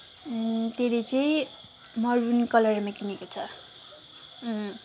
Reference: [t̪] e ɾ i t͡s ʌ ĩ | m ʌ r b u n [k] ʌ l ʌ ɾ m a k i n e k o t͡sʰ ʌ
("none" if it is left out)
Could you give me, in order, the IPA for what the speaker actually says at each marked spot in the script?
t̪, k

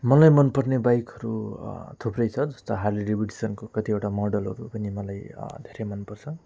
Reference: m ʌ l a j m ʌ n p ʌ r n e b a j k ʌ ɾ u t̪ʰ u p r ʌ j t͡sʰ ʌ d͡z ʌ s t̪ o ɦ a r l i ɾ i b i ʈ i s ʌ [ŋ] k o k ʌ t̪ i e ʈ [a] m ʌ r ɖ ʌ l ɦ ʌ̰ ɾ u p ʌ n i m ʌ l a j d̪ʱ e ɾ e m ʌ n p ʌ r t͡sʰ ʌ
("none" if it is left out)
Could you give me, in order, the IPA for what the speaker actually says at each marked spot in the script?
n, a

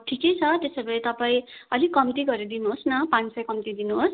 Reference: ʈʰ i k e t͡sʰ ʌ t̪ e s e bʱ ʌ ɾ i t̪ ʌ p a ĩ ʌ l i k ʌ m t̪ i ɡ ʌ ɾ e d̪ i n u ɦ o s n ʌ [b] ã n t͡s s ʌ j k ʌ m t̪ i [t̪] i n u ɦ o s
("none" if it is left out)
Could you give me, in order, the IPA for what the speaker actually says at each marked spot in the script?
p, d̪

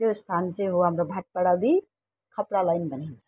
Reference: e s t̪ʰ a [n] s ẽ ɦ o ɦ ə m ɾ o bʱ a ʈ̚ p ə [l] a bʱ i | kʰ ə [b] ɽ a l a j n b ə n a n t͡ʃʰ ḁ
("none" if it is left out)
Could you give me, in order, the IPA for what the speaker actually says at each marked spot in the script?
n, ɽ, p

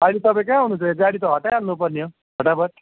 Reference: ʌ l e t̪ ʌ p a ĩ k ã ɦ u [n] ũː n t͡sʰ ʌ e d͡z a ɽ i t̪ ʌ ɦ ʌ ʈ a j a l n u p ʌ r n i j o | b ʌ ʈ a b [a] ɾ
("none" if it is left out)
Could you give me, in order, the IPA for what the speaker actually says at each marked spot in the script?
n, ʌ

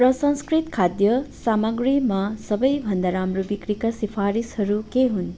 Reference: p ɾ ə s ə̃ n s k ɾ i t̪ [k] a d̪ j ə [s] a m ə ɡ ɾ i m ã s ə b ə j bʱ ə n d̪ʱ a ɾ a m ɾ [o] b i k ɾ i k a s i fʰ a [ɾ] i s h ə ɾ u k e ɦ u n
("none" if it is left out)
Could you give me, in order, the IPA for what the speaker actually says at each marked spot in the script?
kʰ, s, u, ɾ

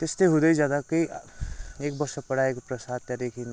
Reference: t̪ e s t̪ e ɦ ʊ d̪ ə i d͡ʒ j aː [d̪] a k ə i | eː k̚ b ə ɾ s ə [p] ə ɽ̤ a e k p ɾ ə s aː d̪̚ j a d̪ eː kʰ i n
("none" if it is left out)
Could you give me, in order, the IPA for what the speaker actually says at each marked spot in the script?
d̪, p

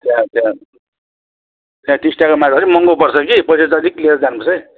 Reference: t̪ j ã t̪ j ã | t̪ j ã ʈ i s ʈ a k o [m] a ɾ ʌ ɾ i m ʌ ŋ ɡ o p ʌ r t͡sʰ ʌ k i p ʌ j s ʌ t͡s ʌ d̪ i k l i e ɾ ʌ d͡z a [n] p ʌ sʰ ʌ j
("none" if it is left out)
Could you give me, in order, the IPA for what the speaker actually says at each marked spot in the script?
m, n

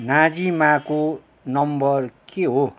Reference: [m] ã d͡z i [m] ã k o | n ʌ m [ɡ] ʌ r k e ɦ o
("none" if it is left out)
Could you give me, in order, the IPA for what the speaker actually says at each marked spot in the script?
n, m, b

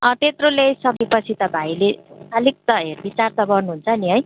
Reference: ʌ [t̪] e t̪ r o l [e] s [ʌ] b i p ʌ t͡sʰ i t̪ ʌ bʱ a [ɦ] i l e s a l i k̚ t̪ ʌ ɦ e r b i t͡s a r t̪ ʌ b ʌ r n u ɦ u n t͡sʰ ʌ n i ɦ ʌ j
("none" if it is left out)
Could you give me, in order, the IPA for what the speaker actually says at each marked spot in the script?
t̪, e, ʌ, none

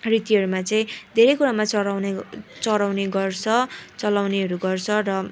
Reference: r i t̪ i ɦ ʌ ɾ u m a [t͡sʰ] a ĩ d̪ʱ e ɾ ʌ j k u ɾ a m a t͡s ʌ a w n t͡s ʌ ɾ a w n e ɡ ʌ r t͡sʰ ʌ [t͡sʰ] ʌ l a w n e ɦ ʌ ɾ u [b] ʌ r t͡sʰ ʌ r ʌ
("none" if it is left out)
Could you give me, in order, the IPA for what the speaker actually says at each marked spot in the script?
t͡s, t͡s, ɡ

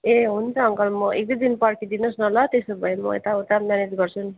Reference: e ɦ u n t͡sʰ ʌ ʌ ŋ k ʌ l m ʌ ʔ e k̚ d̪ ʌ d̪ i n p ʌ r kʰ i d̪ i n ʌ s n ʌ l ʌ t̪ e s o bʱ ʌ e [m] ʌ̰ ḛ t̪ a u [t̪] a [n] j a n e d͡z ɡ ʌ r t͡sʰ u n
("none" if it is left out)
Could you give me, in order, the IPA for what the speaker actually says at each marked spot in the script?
m, t̪, m

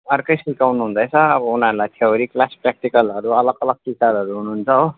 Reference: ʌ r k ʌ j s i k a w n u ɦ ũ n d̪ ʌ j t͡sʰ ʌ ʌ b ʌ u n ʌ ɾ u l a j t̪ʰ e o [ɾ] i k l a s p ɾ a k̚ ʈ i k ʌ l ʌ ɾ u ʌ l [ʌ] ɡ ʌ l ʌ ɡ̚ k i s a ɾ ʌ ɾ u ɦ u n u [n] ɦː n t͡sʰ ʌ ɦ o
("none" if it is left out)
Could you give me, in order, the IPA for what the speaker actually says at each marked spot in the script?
ɾ, ʌ, none

